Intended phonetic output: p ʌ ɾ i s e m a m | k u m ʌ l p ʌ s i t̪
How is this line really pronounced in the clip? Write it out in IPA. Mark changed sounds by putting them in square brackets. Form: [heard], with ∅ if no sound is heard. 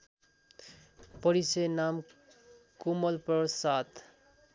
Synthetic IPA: p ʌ ɾ i s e [n] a m | k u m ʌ l p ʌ s [a] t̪